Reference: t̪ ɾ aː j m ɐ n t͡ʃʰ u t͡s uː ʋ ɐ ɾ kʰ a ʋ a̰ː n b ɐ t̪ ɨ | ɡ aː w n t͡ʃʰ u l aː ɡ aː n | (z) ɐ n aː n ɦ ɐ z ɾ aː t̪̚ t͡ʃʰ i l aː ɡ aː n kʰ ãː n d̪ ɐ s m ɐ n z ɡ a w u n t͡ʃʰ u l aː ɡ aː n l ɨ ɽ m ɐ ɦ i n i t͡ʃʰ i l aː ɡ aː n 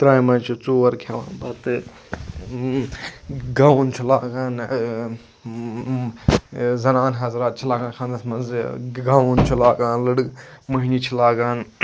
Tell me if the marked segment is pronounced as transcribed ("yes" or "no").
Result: yes